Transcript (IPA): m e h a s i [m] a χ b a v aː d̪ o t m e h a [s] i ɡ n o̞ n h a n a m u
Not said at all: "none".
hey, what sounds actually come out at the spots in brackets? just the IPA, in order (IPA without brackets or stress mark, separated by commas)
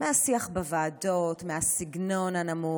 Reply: none, s